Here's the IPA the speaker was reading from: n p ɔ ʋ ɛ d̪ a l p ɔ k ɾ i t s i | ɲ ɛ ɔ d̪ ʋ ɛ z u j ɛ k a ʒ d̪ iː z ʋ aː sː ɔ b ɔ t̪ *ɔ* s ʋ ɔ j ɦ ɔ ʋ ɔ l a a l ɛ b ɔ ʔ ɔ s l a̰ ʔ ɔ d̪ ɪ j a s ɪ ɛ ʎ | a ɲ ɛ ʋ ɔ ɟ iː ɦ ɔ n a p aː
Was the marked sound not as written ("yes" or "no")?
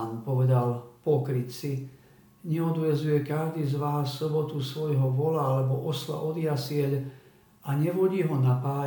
yes